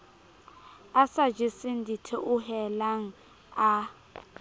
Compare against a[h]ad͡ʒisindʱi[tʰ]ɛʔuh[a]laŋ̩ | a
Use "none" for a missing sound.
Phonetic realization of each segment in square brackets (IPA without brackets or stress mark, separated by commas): s, tʰ, ɛ